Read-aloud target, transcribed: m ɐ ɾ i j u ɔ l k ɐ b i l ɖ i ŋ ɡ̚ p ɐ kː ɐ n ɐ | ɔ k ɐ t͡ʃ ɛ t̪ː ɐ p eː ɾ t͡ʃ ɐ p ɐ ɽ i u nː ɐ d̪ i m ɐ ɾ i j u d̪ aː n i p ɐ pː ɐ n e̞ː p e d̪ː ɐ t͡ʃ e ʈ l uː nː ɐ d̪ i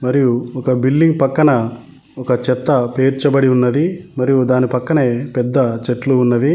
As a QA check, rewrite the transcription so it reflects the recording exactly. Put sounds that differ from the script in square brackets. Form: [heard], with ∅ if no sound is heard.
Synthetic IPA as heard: m ɐ ɾ i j u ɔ [∅] k ɐ b i l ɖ i ŋ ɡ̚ p ɐ kː ɐ n ɐ | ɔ k ɐ t͡ʃ ɛ t̪ː ɐ p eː ɾ t͡ʃ ɐ [b] ɐ ɽ i u nː ɐ d̪ i m ɐ ɾ i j u d̪ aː n i p ɐ [kː] ɐ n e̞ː p [ɛ] d̪ː ɐ t͡ʃ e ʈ l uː nː ɐ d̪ i